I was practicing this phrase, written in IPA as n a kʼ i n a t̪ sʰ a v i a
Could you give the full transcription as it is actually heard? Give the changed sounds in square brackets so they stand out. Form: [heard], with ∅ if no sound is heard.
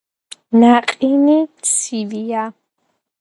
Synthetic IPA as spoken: n a [qʼ] i n [i] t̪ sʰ [i] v i a